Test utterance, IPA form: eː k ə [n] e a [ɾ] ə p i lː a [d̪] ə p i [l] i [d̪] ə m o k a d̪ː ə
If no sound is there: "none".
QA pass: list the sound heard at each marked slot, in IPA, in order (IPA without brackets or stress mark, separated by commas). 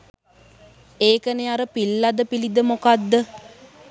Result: n, ɾ, d̪, l, d̪